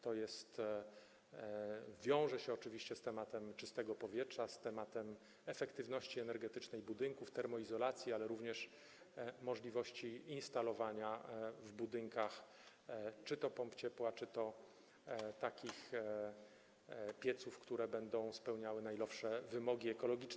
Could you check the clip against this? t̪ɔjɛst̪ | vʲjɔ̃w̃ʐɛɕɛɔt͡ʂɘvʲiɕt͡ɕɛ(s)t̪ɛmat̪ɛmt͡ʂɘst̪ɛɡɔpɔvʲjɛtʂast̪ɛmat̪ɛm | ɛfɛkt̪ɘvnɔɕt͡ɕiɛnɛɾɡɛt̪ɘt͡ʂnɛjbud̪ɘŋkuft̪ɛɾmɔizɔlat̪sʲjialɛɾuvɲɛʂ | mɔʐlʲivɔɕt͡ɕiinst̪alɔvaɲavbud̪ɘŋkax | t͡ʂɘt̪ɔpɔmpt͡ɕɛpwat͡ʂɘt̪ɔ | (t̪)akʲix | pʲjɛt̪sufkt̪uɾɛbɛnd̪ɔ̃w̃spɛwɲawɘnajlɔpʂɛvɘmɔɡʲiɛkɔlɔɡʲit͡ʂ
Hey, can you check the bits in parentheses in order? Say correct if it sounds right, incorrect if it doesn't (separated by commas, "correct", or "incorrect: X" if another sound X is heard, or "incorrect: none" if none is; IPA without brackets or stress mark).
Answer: correct, correct